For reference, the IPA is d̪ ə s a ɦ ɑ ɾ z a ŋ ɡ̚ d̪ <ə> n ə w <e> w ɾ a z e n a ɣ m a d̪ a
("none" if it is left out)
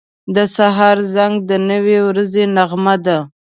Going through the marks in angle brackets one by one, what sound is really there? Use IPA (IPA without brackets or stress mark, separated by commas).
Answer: ə, e